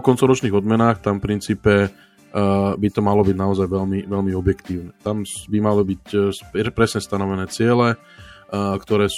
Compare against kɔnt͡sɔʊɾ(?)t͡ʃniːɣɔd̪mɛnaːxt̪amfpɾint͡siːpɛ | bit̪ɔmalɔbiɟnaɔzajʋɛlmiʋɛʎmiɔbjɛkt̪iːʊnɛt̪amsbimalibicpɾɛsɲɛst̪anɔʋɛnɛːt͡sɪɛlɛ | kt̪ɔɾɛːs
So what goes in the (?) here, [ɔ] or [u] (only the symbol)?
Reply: ɔ